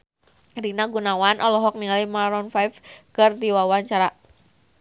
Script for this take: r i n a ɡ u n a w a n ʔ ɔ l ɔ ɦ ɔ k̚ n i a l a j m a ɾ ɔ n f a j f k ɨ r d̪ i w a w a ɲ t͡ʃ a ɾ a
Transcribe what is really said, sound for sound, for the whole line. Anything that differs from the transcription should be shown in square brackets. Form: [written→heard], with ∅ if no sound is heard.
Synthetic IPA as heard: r i n a ɡ u n a w a n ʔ ɔ l ɔ ɦ ɔ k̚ n i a l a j m a ɾ ɔ n f a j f k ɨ r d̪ i w a w a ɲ t͡ʃ a ɾ a